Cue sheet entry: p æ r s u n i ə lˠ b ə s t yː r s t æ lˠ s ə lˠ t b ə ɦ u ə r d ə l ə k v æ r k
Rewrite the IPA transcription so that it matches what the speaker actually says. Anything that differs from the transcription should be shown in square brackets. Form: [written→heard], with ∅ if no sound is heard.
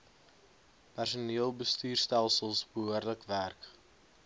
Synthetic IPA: p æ r s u n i ə lˠ b ə s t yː r s t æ lˠ s ə lˠ [t→s] b ə ɦ u ə r d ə l ə k v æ r k